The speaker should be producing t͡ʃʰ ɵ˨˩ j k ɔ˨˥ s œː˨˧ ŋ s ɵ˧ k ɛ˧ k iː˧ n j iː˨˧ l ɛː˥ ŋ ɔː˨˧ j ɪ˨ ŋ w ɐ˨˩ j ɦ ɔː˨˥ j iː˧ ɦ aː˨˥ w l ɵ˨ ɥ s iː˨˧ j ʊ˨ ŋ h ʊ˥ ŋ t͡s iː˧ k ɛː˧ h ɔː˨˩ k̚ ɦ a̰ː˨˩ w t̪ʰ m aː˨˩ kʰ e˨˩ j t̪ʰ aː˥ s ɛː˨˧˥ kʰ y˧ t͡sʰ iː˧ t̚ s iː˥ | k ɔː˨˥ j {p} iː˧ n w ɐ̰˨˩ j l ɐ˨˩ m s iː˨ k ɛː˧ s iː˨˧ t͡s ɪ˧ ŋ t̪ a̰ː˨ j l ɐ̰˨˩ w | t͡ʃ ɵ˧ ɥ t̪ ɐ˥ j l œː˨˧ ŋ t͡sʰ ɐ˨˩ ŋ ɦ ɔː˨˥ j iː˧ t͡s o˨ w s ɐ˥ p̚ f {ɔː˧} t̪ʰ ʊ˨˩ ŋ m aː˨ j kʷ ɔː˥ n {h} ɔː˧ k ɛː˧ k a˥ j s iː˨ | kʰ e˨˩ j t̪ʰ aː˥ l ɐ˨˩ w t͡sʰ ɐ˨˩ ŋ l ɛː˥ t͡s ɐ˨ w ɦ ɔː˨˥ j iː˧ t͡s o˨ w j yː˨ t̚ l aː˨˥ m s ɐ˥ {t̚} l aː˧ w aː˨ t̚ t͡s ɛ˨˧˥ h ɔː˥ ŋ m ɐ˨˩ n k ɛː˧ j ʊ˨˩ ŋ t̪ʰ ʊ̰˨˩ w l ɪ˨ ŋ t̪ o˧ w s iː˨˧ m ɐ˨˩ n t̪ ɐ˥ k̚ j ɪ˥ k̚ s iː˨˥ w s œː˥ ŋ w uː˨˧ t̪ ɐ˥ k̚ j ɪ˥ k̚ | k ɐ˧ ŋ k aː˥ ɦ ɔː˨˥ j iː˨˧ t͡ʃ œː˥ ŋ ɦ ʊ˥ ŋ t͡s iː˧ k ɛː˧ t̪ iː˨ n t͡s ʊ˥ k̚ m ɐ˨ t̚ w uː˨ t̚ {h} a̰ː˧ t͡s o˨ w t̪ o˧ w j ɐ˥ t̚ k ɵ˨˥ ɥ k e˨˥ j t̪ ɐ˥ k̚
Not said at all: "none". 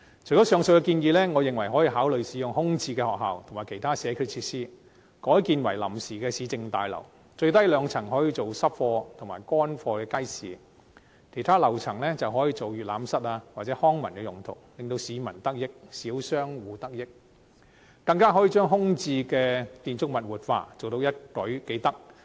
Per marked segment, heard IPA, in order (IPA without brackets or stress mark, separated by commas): k, ɔː˧, f, t̚, f